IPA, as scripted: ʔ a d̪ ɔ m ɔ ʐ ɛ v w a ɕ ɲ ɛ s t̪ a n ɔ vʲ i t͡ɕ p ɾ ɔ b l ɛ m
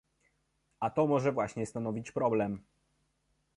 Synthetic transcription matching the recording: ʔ a t̪ ɔ m ɔ ʐ ɛ v w a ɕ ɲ ɛ s t̪ a n ɔ vʲ i t͡ɕ p ɾ ɔ b l ɛ m

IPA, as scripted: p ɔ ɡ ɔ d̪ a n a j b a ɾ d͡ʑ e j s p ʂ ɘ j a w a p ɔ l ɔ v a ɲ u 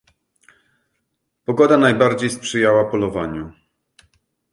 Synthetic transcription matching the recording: p ɔ ɡ ɔ d̪ a n a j b a ɾ d͡ʑ e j s p ʂ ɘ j a w a p ɔ l ɔ v a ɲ u

